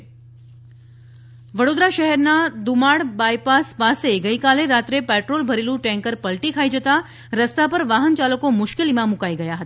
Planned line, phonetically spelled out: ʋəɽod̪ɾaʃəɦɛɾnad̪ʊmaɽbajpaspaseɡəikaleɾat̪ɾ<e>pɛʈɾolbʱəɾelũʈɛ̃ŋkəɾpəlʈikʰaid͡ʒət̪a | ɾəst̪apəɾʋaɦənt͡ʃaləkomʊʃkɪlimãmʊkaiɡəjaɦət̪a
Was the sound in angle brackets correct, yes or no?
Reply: yes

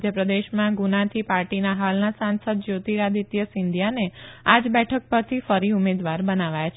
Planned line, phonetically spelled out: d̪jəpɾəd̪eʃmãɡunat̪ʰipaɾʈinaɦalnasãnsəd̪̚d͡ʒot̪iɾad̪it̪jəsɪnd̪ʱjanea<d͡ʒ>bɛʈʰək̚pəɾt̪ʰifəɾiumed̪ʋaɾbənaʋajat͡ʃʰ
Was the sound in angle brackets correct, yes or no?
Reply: yes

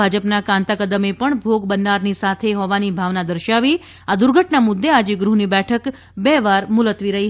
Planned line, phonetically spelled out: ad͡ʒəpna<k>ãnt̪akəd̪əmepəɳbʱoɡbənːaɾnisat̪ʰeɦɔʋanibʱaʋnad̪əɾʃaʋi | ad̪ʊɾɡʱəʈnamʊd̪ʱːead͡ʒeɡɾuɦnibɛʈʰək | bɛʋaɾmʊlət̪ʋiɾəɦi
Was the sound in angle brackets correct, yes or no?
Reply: yes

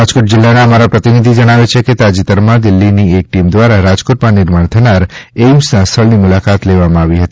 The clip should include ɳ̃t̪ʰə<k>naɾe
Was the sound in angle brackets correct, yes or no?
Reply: no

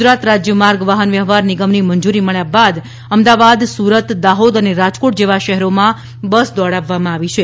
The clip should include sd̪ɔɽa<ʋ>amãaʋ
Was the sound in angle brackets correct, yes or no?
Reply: no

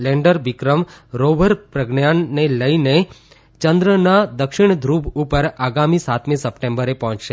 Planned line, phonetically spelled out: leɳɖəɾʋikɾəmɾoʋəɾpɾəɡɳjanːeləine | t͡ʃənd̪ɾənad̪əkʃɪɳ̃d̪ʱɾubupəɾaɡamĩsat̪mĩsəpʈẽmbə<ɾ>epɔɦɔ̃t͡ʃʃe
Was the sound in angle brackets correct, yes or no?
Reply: yes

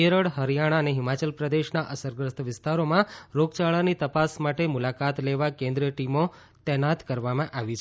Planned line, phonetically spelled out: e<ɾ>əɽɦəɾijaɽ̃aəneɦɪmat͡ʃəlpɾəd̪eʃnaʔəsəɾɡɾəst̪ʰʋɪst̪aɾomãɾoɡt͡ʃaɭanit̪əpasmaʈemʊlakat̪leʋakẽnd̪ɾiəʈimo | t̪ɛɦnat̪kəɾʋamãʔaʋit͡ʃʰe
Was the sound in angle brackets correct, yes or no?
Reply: yes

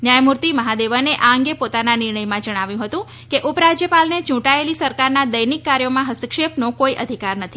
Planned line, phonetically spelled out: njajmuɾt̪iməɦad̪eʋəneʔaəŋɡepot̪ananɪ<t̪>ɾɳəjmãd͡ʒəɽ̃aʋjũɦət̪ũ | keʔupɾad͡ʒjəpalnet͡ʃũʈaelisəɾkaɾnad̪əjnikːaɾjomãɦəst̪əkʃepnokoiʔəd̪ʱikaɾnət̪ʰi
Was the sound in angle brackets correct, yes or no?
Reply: no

